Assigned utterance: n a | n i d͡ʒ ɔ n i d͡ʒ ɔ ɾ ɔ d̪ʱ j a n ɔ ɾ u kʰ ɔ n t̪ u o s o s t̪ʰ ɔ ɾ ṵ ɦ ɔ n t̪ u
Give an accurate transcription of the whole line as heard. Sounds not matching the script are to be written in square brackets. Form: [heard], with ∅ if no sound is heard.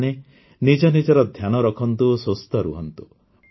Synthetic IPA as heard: n [e] | n i d͡ʒ ɔ n i d͡ʒ ɔ ɾ ɔ d̪ʱ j a n ɔ ɾ [ɔ] kʰ ɔ n t̪ u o s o s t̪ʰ ɔ ɾ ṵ ɦ ɔ n t̪ u

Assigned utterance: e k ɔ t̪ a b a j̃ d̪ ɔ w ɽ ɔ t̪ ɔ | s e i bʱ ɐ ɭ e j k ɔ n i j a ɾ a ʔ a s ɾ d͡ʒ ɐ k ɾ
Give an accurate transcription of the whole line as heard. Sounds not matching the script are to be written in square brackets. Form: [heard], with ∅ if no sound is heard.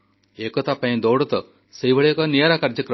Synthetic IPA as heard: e k ɔ t̪ a [p] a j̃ d̪ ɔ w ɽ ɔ t̪ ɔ | s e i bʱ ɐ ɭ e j k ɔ n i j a ɾ a [k] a [∅] ɾ d͡ʒ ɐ k ɾ

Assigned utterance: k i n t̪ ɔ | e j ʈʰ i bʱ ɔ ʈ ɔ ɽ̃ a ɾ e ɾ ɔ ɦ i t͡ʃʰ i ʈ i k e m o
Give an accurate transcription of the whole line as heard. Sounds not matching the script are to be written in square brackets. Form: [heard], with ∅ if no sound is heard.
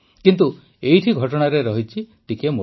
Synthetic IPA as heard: k i n t̪ [u] | e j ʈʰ i [ɡʱ] ɔ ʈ ɔ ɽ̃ a ɾ e ɾ ɔ ɦ i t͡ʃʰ i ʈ i k e m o

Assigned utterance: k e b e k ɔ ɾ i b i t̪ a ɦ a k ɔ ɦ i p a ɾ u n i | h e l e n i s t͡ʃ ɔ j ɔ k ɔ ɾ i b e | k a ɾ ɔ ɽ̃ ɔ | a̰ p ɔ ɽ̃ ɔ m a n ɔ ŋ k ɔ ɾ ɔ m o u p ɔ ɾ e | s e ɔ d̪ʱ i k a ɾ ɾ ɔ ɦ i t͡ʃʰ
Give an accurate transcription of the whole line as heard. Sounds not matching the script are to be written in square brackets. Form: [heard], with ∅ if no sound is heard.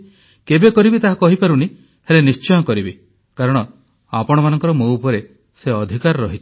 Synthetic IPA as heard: k e b e k ɔ ɾ i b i t̪ a ɦ a k ɔ ɦ i p a ɾ u n i | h e l e n i s t͡ʃ ɔ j ɔ k ɔ ɾ i b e | k a ɾ ɔ ɽ̃ ɔ | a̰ p ɔ ɽ̃ ɔ m a n ɔ ŋ k ɔ ɾ ɔ m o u p ɔ ɾ e | s e ɔ d̪ʱ i k a ɾ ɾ ɔ ɦ i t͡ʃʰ

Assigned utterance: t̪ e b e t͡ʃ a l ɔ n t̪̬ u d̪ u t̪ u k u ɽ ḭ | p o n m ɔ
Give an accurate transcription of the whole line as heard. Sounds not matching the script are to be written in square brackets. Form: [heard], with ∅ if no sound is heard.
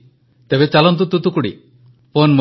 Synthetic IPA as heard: t̪ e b e t͡ʃ a l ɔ n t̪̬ u [t̪] u t̪ u k u ɽ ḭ | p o n m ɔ

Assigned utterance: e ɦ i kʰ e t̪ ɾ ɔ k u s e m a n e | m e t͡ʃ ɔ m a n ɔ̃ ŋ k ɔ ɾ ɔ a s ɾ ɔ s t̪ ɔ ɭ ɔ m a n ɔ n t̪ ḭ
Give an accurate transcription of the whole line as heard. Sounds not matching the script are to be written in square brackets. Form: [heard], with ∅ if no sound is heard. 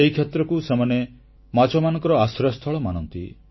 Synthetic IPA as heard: e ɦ i kʰ e t̪ ɾ ɔ k u s e m a n e | m [a] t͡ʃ ɔ m a n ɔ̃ ŋ k ɔ ɾ ɔ a s ɾ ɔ s [t̪ʰ] ɔ ɭ ɔ m a n ɔ n t̪ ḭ

